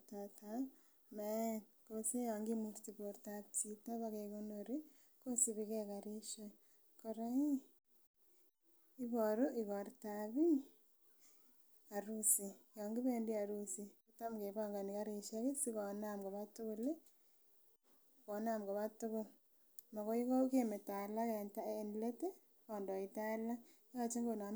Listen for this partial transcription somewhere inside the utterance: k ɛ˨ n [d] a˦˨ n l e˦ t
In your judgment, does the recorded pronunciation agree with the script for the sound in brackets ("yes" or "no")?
no